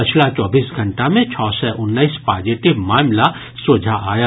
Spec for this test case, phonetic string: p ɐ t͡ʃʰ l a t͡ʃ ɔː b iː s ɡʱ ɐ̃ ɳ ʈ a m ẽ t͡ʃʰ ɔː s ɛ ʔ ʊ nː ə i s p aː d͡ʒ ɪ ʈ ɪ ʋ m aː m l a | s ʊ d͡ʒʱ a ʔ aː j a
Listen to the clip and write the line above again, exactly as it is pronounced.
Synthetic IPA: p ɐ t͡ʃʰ l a t͡ʃ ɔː b iː s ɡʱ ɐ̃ ɳ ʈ a m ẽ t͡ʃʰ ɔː s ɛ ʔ ʊ nː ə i s p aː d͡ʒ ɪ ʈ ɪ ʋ m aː m l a | s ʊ d͡ʒʱ a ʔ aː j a

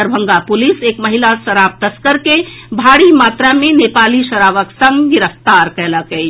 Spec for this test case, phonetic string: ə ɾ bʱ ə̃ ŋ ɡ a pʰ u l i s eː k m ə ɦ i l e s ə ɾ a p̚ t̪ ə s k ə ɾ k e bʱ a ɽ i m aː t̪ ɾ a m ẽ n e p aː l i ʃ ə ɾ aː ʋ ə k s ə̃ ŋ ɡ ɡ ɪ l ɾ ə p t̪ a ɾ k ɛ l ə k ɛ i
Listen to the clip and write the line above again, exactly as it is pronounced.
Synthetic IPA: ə ɾ bʱ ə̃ ŋ ɡ a p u l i s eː k m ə ɦ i l a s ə ɾ a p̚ t̪ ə s k ə ɾ k e bʱ a ɽ i m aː t̪ ɾ a m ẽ n e p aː l i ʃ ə ɾ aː ʋ ə k s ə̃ ŋ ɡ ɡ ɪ ɾ ə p t̪ a ɾ k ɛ l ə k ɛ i

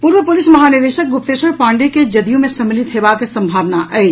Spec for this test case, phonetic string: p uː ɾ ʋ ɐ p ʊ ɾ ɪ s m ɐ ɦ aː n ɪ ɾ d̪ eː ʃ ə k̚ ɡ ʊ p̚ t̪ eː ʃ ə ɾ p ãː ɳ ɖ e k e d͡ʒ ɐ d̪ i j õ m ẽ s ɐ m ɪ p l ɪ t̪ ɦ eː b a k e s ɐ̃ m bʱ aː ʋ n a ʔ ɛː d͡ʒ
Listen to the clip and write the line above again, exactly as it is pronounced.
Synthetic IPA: p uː ɾ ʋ ə p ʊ l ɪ s m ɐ ɦ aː n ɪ ɾ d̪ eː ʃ ə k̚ ɡ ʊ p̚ t̪ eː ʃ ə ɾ p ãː ɳ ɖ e k e d͡ʒ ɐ d̪ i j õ m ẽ s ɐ m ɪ l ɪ t̪ ɦ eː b a k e s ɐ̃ m bʱ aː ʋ n a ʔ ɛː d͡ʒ

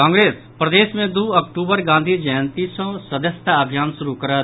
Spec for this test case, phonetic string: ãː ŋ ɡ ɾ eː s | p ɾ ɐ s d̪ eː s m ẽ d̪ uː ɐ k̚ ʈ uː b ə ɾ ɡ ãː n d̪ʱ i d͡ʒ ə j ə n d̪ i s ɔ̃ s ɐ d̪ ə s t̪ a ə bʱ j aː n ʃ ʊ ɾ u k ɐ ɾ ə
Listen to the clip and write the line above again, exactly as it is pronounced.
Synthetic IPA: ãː ŋ ɡ ɾ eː s | p ɾ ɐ d̪ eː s m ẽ d̪ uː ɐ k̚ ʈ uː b ə ɾ ɡ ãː n d̪ʱ i d͡ʒ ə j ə n t̪ i s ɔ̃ s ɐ d̪ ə s t̪ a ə bʱ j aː n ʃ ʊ ɾ u k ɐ ɾ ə

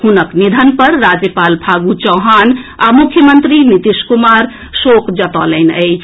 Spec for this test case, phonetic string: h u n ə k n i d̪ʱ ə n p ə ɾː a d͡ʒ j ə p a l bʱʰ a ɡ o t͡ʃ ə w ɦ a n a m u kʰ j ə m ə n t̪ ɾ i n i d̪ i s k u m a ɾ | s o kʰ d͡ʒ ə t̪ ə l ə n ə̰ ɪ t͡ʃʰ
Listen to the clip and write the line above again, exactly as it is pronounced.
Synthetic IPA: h u n ə k n i d̪ʱ ə n p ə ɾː a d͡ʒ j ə p a l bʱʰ a ɡ u t͡ʃ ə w ɦ a n a m u kʰ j ə m ə n t̪ ɾ i n i t̪ i s k u m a ɾ | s o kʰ d͡ʒ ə t̪ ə l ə n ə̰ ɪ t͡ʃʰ

